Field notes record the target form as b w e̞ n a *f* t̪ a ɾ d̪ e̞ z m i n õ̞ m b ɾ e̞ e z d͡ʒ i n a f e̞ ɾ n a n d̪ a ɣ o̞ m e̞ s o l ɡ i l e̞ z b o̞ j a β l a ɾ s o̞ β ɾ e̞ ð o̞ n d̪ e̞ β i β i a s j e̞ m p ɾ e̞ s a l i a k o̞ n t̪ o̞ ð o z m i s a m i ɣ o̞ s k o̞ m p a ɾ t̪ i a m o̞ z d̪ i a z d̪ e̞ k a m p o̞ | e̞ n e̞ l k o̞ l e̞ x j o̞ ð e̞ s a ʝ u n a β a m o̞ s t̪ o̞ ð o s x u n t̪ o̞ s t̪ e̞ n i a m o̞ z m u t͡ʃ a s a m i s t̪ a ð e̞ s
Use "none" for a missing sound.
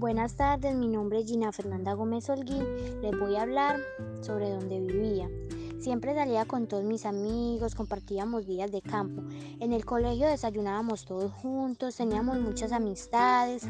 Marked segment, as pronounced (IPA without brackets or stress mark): s